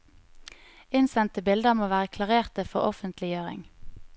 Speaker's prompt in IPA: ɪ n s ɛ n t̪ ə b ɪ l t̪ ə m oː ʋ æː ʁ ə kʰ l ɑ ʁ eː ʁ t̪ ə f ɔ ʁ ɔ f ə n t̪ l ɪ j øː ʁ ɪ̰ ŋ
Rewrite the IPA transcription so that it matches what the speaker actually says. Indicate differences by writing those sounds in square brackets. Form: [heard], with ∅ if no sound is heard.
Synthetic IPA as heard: ɪ n s ɛ n t̪ ə b ɪ l [d̪] ə m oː ʋ æː ʁ ə kʰ l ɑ ʁ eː ʁ t̪ ə f ɔ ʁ ɔ f ə n t̪ l ɪ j øː ʁ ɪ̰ ŋ